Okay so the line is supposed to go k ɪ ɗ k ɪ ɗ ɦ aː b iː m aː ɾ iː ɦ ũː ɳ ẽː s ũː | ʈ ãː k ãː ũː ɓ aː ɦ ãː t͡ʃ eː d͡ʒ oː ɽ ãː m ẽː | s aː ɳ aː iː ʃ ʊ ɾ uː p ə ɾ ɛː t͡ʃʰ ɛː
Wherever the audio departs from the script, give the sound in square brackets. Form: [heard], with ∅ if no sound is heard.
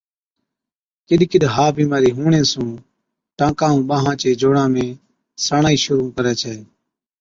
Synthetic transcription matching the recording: k ɪ ɗ k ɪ ɗ ɦ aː b iː m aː ɾ iː ɦ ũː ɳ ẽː s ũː | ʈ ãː k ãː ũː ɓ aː ɦ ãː t͡ʃ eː d͡ʒ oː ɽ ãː m ẽː | s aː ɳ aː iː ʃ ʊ ɾ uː [k] ə ɾ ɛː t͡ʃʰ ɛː